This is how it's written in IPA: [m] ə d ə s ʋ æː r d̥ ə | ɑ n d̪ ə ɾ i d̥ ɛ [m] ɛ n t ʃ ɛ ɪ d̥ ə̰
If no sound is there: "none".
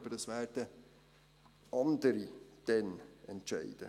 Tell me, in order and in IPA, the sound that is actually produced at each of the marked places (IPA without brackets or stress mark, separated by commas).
b, n